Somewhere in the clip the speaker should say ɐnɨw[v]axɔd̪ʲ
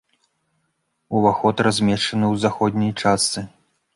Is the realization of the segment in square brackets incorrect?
yes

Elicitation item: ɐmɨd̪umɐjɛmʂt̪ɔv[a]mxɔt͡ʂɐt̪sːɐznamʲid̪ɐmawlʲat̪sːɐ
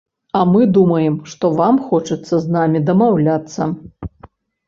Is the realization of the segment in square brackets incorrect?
no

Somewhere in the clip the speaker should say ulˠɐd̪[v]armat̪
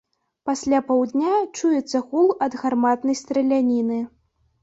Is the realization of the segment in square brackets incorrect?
yes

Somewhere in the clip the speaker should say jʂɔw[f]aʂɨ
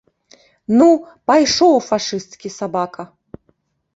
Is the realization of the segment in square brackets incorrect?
no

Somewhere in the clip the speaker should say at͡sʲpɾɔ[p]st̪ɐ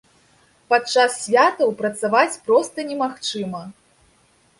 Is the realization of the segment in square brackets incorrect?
yes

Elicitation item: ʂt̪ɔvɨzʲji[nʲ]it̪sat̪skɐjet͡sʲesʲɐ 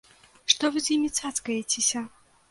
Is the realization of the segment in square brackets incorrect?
yes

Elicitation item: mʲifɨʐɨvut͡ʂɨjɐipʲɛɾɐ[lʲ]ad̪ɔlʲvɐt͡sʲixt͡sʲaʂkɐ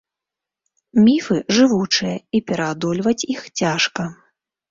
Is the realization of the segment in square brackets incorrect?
yes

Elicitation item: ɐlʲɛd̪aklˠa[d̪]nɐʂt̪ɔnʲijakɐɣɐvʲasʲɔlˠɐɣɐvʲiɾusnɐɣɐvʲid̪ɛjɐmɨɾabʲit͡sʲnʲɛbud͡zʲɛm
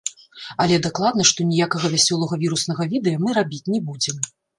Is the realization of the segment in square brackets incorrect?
no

